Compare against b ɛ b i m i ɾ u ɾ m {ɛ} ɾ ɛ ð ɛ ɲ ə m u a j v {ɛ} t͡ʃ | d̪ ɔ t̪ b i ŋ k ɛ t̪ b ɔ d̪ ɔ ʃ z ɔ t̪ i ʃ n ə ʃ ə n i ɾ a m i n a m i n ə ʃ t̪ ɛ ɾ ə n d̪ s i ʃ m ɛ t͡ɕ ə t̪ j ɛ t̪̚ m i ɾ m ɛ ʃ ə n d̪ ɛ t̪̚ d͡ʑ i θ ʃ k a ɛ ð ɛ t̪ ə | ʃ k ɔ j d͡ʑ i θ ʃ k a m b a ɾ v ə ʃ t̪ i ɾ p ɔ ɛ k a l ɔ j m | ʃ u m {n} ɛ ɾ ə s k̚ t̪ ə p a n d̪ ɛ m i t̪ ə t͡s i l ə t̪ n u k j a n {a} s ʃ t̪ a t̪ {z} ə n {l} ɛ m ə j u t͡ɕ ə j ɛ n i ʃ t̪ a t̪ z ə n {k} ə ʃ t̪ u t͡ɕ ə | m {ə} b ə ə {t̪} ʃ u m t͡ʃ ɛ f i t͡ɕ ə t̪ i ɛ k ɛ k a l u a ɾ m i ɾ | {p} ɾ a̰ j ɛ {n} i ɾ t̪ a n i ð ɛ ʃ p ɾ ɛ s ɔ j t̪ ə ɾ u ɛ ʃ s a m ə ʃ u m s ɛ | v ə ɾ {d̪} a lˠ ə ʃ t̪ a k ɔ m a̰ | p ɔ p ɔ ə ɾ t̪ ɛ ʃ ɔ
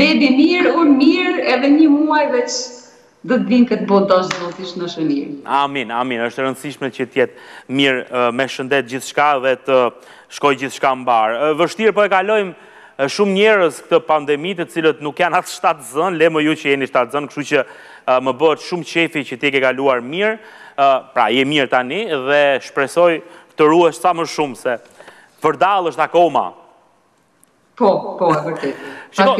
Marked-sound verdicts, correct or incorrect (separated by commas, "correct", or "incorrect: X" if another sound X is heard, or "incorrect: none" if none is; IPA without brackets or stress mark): incorrect: i, correct, incorrect: ɲ, correct, correct, correct, correct, correct, correct, correct, incorrect: m, correct